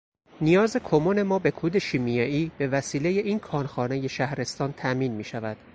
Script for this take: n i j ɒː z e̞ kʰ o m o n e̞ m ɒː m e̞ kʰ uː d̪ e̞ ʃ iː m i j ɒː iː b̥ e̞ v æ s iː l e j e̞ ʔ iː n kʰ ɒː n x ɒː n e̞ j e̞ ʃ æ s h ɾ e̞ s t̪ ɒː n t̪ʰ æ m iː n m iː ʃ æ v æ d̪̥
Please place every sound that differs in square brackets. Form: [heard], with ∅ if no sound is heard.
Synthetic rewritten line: n i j ɒː z e̞ kʰ o m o n e̞ m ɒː [b] e̞ kʰ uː d̪ e̞ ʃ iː m i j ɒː iː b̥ e̞ v æ s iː l e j e̞ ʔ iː n kʰ ɒː n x ɒː n e̞ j e̞ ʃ æ [∅] h ɾ e̞ s t̪ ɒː n t̪ʰ æ m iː n m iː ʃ æ v æ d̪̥